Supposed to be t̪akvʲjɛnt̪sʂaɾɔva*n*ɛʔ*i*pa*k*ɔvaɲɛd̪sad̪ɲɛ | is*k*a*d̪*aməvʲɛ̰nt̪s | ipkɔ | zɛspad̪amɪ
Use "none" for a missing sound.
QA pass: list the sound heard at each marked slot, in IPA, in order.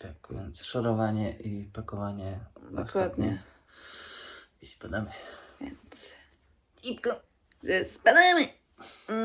ɲ, i, k, p, d̪

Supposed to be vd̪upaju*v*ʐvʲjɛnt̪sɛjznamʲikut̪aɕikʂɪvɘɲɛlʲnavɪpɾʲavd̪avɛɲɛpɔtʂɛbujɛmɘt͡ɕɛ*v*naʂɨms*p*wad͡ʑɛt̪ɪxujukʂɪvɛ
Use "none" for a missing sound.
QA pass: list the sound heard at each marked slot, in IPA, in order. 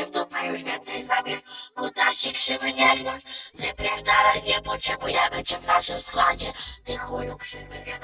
none, v, k

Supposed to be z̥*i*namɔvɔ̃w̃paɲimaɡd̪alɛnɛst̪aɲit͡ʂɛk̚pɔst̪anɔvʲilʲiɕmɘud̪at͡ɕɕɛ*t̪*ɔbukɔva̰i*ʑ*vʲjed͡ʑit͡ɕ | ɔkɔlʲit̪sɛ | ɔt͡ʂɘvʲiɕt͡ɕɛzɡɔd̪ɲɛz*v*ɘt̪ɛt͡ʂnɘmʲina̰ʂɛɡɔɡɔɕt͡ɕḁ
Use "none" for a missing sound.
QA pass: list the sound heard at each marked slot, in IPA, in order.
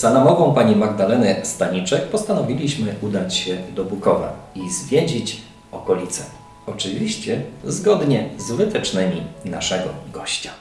a, d̪, z, v

